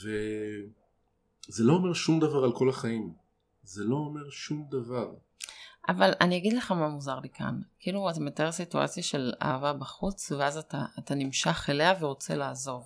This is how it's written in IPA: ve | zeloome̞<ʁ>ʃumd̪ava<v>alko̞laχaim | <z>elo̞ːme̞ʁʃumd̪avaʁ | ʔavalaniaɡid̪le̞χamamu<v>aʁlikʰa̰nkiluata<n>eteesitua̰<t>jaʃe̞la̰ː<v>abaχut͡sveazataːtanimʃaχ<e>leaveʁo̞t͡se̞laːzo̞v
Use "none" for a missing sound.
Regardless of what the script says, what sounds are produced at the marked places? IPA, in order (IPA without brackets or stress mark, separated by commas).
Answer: ʁ, ʁ, z, z, m, t͡s, v, e